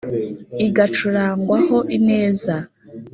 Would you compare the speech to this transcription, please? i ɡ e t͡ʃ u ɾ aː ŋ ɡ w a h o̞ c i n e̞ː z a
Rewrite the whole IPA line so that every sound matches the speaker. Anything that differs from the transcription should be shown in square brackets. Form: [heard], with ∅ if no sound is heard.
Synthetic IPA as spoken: i ɡ [a] t͡ʃ u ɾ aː ŋ ɡ w a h o̞ [ʔ] i n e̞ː z a